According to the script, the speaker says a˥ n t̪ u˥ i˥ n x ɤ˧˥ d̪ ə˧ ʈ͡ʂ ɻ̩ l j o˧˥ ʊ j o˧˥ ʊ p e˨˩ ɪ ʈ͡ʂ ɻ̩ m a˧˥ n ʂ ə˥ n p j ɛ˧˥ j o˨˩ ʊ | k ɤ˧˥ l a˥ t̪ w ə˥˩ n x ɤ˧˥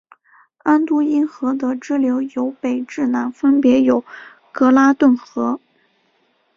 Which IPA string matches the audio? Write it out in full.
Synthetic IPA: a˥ n t̪ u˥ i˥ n x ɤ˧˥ d̪ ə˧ ʈ͡ʂ ɻ̩ l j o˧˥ ʊ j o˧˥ ʊ p e˨˩ ɪ ʈ͡ʂ ɻ̩ n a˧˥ n f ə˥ n p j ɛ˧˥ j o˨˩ ʊ | k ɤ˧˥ l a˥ t̪ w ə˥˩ n x ɤ˧˥